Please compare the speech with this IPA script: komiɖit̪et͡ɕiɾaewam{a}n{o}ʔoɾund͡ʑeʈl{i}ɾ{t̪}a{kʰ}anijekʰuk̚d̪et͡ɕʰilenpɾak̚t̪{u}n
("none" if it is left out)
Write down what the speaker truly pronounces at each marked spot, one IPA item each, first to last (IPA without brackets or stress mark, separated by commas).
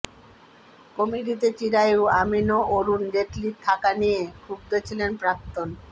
i, o, i, t̪ʰ, k, o